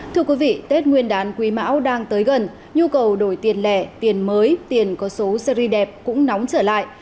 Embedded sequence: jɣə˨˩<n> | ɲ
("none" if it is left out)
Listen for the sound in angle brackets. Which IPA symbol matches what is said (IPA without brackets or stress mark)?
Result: n